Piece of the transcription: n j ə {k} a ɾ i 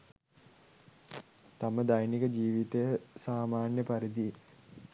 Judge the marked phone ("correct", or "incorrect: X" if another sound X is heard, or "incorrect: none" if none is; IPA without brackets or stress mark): incorrect: p